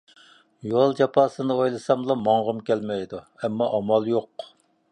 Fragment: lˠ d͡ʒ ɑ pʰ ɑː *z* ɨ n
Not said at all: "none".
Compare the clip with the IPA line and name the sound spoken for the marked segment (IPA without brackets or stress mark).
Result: s